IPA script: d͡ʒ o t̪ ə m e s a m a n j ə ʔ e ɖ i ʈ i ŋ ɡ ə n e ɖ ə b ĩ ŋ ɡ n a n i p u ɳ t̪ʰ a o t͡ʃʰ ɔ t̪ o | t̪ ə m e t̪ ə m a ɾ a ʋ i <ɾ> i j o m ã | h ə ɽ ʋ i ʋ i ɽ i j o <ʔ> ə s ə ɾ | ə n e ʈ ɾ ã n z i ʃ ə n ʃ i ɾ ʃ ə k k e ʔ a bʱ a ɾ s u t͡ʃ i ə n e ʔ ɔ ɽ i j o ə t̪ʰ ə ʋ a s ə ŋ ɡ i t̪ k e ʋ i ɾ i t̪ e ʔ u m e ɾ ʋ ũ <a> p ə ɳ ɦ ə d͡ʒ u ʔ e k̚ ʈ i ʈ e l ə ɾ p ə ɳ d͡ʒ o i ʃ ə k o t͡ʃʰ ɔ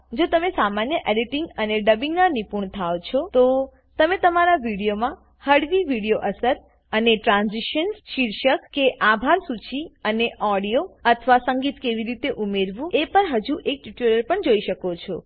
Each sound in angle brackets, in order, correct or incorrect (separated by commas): incorrect, correct, incorrect